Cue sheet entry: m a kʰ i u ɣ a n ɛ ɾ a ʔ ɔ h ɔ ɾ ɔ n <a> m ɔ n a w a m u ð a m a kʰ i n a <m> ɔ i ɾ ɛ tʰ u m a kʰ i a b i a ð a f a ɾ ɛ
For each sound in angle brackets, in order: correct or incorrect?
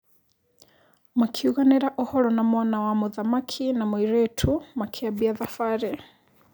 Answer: correct, correct

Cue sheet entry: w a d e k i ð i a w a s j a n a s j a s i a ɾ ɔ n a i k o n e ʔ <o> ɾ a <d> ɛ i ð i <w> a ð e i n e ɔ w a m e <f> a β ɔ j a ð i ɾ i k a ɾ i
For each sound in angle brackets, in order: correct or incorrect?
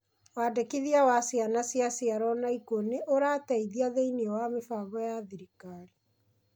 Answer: correct, incorrect: t, incorrect: none, correct

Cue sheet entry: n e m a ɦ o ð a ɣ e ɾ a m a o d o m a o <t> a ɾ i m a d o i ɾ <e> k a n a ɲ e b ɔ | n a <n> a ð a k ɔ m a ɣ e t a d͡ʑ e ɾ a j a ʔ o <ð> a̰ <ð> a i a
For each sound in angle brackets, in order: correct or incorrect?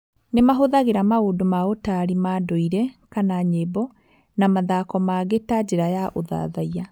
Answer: correct, incorrect: ɛ, incorrect: m, correct, correct

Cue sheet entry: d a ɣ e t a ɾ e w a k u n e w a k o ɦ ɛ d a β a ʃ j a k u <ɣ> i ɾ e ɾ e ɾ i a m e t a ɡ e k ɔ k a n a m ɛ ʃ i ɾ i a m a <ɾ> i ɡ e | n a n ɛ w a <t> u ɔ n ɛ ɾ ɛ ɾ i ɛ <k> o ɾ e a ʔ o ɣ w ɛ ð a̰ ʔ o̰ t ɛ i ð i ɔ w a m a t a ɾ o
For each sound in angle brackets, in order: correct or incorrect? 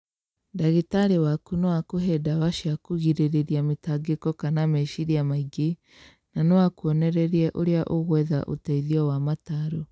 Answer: correct, incorrect: none, incorrect: k, incorrect: ʔ

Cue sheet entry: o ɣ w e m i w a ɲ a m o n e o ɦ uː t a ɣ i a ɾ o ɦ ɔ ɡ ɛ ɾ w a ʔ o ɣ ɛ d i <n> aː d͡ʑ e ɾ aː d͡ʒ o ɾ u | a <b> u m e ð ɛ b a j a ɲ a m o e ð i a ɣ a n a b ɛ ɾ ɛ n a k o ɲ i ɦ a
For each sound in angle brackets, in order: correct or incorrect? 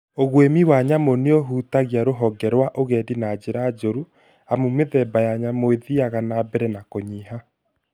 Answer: correct, incorrect: m

